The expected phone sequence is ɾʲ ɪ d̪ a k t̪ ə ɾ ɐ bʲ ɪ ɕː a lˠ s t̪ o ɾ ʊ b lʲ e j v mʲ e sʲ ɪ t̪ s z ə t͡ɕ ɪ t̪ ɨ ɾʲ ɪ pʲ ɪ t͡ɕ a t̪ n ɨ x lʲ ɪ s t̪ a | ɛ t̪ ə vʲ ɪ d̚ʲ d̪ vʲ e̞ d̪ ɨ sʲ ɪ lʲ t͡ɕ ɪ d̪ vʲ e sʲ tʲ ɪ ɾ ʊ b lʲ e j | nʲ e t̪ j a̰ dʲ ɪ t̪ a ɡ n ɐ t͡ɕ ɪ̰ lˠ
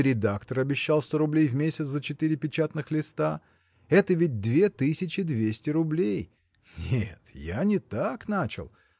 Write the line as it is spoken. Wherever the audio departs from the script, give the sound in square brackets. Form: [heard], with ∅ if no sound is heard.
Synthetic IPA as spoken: ɾʲ ɪ d̪ a k t̪ ə ɾ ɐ bʲ ɪ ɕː a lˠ s t̪ o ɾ ʊ b lʲ e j v mʲ e sʲ ɪ t̪ s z ə t͡ɕ ɪ t̪ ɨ ɾʲ ɪ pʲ ɪ t͡ɕ a t̪ n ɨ x lʲ ɪ s t̪ a | ɛ t̪ ə vʲ ɪ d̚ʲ d̪ vʲ e̞ [t̪] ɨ sʲ ɪ [∅] t͡ɕ ɪ d̪ vʲ e sʲ tʲ ɪ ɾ ʊ b lʲ e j | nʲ e t̪ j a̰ [nʲ] ɪ t̪ a [k] n [a] t͡ɕ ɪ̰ lˠ